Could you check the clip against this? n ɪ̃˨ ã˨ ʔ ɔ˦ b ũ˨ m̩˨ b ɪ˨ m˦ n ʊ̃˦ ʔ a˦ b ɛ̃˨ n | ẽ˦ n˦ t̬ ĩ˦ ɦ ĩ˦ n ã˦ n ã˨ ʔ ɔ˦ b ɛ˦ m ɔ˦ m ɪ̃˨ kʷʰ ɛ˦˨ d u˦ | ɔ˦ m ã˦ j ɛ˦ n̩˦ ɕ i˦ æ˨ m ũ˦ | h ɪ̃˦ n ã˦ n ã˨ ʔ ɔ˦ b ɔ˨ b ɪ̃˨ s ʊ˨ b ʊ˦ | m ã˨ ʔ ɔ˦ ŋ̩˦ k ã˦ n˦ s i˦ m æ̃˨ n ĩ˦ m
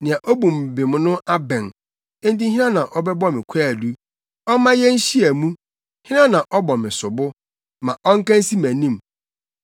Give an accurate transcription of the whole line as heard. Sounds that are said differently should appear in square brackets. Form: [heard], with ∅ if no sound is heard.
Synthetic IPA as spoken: n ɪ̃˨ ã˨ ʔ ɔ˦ b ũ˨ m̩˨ b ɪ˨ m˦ n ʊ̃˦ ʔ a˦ b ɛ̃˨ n | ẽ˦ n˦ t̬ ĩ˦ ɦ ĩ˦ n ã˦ n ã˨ ʔ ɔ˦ b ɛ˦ [b] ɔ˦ m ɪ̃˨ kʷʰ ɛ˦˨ d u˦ | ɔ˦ m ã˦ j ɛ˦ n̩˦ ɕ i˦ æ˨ m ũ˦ | h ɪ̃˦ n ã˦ n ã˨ ʔ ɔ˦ b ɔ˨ [m] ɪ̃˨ s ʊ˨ b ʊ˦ | m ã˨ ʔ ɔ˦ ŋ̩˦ k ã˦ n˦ s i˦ m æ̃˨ n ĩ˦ m

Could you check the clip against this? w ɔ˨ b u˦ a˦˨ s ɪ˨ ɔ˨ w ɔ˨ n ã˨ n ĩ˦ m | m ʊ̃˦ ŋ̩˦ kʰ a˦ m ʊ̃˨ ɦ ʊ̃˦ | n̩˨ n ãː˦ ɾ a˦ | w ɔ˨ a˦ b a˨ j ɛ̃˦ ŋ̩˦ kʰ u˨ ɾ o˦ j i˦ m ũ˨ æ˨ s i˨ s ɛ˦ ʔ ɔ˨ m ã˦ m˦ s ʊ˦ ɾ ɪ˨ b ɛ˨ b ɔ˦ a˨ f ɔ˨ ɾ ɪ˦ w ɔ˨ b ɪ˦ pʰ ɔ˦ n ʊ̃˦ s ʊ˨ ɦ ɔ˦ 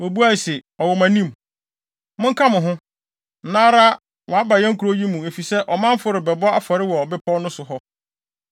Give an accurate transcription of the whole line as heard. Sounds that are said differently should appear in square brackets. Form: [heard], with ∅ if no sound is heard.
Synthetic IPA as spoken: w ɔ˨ b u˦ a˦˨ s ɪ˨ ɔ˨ w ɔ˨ [m] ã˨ n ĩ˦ m | m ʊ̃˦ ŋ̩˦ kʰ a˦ m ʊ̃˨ ɦ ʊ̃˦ | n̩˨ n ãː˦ ɾ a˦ | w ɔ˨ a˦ b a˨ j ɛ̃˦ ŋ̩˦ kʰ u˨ ɾ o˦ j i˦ m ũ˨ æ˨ [f] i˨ s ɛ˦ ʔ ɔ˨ m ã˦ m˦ [f] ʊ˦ ɾ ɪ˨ b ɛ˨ b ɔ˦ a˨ f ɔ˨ ɾ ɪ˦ w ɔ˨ b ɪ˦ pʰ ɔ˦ n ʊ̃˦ s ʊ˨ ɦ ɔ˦

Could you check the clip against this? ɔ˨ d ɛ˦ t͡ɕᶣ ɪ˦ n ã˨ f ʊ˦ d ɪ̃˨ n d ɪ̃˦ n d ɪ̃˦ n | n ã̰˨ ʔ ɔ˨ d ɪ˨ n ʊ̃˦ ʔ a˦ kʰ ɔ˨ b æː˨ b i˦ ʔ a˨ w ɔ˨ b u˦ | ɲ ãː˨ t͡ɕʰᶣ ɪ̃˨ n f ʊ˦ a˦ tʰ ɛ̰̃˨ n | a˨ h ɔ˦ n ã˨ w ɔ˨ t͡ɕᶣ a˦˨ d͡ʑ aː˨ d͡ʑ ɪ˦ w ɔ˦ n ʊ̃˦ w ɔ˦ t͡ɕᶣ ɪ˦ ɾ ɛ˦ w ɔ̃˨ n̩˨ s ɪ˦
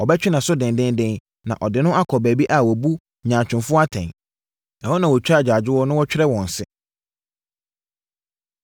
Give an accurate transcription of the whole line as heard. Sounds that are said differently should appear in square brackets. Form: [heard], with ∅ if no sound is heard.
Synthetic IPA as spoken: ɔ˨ [b] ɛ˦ t͡ɕᶣ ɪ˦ n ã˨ [s] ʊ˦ d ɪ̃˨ n d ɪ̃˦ n d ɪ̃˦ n | n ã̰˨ ʔ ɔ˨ d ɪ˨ n ʊ̃˦ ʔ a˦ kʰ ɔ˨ b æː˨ b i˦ ʔ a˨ w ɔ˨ b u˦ | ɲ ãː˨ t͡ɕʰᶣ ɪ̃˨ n f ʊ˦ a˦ tʰ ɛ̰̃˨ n | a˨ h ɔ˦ n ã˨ w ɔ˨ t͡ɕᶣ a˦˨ d͡ʑ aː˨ d͡ʑ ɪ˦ w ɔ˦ n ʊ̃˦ w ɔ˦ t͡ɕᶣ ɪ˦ ɾ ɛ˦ w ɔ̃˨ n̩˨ s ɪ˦

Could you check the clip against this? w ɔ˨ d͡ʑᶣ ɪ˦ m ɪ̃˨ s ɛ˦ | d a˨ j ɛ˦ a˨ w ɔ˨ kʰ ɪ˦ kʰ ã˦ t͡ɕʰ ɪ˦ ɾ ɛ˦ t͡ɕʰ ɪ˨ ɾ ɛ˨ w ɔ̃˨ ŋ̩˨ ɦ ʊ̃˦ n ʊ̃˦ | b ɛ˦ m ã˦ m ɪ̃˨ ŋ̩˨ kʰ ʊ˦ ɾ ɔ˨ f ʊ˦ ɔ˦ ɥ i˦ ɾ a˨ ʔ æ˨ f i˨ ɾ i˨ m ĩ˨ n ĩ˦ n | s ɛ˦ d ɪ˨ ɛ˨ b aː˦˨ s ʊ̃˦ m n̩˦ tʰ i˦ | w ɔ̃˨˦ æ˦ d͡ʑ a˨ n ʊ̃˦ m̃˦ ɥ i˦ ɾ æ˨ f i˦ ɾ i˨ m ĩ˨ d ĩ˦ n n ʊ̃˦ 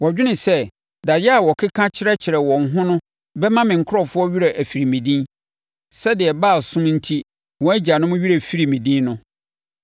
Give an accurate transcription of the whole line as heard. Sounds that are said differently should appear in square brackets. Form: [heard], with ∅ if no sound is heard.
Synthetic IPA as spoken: w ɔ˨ d͡ʑᶣ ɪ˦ [n] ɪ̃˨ s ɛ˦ | d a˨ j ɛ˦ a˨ w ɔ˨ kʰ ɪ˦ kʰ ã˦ t͡ɕʰ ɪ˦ ɾ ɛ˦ t͡ɕʰ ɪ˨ ɾ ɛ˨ w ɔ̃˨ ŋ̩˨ ɦ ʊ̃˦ n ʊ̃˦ | b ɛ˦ m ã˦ m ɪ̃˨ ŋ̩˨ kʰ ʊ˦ ɾ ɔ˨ f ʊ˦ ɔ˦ ɥ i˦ ɾ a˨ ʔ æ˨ f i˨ ɾ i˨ m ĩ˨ [d] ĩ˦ n | s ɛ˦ d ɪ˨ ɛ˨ b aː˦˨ s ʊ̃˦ m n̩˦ tʰ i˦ | w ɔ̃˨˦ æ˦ d͡ʑ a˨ n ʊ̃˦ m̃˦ ɥ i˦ ɾ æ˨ f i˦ ɾ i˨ m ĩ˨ d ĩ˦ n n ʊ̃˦

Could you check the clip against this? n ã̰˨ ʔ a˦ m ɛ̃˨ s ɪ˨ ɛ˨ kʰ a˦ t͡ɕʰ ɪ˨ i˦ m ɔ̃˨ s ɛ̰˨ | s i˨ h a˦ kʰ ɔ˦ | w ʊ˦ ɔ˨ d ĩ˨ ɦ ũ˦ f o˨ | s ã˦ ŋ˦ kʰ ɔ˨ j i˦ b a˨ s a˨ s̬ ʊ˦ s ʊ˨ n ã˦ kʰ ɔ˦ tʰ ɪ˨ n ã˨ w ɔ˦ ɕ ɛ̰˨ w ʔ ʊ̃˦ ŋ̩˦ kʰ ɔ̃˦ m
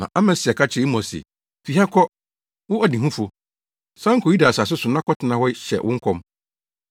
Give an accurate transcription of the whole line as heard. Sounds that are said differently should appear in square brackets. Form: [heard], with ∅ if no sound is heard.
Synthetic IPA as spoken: n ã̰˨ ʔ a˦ m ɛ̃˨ s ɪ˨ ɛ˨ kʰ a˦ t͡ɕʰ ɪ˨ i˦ m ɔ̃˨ s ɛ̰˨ | [f] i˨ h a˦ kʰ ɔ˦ | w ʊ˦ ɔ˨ d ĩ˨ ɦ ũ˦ f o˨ | s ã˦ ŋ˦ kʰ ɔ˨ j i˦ [d] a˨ s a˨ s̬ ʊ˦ s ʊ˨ n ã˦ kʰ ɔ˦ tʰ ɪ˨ n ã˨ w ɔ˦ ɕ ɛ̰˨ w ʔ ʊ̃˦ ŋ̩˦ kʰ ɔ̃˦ m

